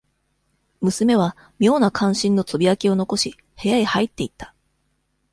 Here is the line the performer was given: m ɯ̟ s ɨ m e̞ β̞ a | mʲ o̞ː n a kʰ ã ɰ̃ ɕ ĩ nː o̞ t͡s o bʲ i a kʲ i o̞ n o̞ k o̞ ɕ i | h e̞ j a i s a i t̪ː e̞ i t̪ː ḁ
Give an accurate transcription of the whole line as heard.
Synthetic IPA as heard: m ɯ̟ s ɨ m e̞ β̞ a | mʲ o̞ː n a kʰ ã ɰ̃ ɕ ĩ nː o̞ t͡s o bʲ i a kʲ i o̞ n o̞ k o̞ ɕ i | h e̞ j a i h a i t̪ː e̞ i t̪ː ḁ